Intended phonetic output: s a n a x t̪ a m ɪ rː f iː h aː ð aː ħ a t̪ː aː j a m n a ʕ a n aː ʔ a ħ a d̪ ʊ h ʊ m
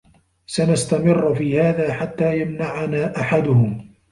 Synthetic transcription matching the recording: s a n a s t̪ a m ɪ rː f iː h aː ð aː ħ a t̪ː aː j a m n a ʕ a n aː ʔ a ħ a d̪ ʊ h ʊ m